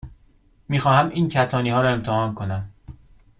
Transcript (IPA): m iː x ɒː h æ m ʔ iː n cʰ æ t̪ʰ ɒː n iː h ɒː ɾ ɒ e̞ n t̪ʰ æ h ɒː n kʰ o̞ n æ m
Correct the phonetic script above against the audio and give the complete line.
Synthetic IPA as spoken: m iː x ɒː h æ m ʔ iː n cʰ æ t̪ʰ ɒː n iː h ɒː ɾ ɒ e̞ m t̪ʰ e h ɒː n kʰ o̞ n æ m